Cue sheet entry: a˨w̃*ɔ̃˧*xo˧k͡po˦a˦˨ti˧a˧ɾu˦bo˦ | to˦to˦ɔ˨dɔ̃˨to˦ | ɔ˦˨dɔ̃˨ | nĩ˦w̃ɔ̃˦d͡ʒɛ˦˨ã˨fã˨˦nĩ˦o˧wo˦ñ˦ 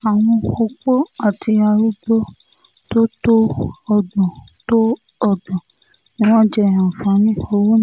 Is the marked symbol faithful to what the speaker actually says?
yes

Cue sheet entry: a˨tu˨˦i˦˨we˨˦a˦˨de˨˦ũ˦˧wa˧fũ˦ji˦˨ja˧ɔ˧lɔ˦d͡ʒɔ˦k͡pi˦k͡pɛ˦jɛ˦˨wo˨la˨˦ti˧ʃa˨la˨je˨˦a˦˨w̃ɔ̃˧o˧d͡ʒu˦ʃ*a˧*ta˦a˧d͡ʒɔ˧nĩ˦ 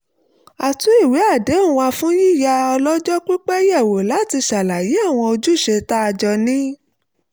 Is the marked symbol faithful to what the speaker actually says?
no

